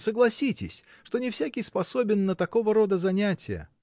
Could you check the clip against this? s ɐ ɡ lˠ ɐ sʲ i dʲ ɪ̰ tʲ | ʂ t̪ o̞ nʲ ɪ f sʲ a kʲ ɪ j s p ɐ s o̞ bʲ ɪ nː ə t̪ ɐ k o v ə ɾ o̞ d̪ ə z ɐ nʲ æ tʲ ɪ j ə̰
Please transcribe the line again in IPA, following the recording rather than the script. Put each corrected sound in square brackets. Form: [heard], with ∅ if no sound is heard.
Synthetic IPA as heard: s [ə] ɡ lˠ ɐ sʲ i [tʲ] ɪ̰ [sʲ] | ʂ t̪ o̞ nʲ ɪ f sʲ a kʲ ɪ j s p ɐ s o̞ bʲ ɪ nː ə t̪ ɐ k o v ə ɾ o̞ d̪ ə z ɐ nʲ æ tʲ ɪ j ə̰

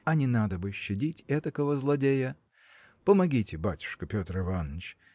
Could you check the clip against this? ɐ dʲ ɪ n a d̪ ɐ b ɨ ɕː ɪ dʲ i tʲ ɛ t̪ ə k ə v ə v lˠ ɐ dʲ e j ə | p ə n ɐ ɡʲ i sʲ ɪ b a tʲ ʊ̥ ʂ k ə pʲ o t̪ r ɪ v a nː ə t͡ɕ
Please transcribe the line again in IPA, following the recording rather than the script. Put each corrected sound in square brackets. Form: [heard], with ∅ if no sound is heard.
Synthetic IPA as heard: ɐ [nʲ] ɪ n a d̪ [ə] b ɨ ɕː ɪ dʲ i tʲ ɛ t̪ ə k ə v ə [z] lˠ ɐ dʲ e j ə | p ə [m] ɐ ɡʲ i [tʲ] ɪ b a tʲ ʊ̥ ʂ k ə pʲ o t̪ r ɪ v a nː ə t͡ɕ

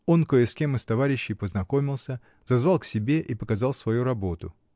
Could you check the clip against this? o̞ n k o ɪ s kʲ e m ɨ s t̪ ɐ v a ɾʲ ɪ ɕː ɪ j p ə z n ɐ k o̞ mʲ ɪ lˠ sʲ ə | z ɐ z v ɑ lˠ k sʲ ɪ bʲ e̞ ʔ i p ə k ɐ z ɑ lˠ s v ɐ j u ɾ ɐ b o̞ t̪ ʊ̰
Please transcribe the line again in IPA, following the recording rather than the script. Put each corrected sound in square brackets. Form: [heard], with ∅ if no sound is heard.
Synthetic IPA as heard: o̞ n k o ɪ s kʲ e m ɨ s t̪ ɐ v a ɾʲ ɪ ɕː ɪ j p ə z n ɐ k o̞ mʲ ɪ lˠ sʲ ə | z ɐ z v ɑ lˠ k sʲ ɪ bʲ e̞ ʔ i p ə k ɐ z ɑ lˠ s v ɐ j u ɾ ɐ b o̞ t̪ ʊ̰

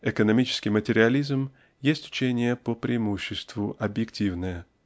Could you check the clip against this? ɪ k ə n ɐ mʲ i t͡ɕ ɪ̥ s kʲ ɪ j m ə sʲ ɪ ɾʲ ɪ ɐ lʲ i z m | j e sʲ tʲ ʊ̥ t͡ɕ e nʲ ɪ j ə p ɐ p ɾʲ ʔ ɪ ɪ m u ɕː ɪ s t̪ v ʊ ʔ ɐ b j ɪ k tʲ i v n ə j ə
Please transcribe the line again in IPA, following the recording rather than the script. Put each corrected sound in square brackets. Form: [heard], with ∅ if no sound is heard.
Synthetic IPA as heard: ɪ k ə n ɐ mʲ i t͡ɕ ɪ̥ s kʲ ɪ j m ə [tʲ] ɪ ɾʲ ɪ ɐ lʲ i z m | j e sʲ tʲ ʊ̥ t͡ɕ e nʲ ɪ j ə p [ə] p ɾʲ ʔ ɪ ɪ m u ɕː ɪ s t̪ v ʊ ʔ ɐ b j ɪ k tʲ i v n ə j ə

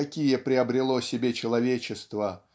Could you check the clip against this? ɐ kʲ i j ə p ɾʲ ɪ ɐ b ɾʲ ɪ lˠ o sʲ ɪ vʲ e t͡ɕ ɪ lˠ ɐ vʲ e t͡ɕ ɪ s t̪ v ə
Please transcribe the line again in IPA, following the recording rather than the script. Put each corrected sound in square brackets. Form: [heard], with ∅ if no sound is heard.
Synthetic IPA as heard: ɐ kʲ i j ə p ɾʲ ɪ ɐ b ɾʲ ɪ lˠ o sʲ ɪ [bʲ] e t͡ɕ ɪ lˠ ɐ vʲ e t͡ɕ ɪ s t̪ v ə

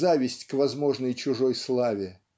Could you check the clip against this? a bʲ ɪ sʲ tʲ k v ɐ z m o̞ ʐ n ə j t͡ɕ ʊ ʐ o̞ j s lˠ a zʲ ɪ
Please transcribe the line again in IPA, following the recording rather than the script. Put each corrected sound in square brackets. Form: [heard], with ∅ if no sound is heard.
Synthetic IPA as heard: a [vʲ] ɪ sʲ tʲ k v ɐ z m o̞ ʐ n ə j t͡ɕ ʊ ʐ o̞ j s lˠ a [vʲ] ɪ

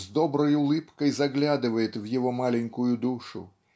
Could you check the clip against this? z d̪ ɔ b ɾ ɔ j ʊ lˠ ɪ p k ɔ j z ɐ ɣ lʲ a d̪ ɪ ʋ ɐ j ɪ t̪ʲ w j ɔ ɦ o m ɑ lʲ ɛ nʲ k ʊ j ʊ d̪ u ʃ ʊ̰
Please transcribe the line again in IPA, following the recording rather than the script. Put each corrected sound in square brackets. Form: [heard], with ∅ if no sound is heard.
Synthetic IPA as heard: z d̪ ɔ b ɾ ɔ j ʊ lˠ ɪ p k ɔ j z ɐ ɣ lʲ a d̪ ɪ ʋ ɐ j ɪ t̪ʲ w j ɔ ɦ [ɔ] m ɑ lʲ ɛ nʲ k ʊ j ʊ d̪ u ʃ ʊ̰

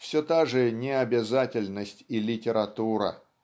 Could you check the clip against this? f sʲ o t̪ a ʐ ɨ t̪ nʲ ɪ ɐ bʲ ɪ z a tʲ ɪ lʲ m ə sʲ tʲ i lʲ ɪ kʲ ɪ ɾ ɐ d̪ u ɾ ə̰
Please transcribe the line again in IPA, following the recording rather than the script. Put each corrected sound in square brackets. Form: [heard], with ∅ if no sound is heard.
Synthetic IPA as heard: f sʲ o t̪ a ʐ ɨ [∅] nʲ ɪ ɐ bʲ ɪ z a tʲ ɪ lʲ [n] ə sʲ tʲ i lʲ ɪ [tʲ] ɪ ɾ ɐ [t̪] u ɾ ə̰

